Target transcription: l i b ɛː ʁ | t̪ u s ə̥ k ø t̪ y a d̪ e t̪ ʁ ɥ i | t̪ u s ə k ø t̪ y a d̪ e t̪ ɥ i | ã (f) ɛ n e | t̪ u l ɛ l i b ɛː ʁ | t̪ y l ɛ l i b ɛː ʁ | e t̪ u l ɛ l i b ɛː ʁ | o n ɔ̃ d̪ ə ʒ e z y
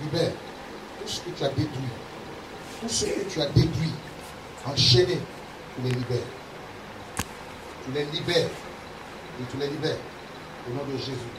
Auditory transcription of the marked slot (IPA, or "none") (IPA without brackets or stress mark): ʃ